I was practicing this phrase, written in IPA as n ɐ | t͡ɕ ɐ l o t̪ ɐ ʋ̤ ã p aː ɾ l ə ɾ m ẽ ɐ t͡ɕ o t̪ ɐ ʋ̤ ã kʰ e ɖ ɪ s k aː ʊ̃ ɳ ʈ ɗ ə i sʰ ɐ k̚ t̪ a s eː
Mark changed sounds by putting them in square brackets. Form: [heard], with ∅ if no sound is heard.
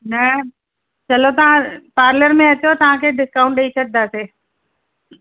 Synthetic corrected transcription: n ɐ | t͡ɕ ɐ l o t̪ ɐ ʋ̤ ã p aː ɾ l ə ɾ m ẽ ɐ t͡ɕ o t̪ ɐ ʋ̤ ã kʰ e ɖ ɪ s k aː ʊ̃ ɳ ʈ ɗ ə i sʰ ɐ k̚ [d̪] a s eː